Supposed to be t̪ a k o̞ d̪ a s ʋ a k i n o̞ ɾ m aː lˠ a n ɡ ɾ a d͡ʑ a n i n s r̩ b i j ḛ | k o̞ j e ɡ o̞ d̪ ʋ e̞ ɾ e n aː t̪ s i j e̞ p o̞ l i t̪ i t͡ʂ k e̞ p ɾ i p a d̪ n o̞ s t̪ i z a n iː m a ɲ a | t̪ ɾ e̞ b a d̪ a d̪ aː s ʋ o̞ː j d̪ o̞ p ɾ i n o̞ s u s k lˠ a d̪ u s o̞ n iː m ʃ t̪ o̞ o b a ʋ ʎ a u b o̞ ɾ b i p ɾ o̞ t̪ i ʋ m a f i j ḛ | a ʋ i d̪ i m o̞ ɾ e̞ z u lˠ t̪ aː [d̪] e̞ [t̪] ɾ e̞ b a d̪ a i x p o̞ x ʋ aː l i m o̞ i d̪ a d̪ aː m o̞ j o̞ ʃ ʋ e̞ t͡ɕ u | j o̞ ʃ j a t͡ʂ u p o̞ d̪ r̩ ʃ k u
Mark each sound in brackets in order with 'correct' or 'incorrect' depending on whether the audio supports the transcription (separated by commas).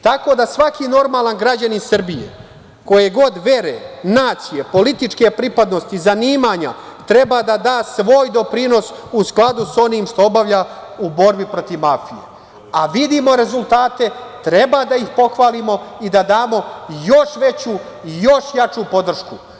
incorrect, correct